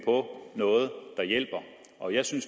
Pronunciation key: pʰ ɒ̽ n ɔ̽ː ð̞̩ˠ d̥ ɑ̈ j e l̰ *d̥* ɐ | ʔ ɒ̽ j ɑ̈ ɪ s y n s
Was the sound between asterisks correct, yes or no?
no